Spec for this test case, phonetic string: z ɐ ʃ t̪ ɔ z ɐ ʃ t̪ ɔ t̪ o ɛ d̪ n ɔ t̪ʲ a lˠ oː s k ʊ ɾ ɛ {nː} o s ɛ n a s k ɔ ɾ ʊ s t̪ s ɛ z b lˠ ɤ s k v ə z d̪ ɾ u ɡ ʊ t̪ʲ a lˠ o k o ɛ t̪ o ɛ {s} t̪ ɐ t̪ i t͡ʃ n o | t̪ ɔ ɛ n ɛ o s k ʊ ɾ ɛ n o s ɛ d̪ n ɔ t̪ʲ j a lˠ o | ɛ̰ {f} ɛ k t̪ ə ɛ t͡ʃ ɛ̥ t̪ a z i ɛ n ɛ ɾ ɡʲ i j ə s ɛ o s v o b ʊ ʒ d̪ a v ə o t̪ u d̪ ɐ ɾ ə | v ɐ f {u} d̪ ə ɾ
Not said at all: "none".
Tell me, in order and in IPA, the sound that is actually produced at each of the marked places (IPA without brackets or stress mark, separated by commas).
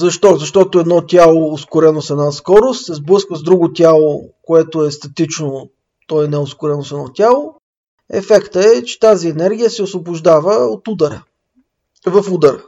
n, s, f, u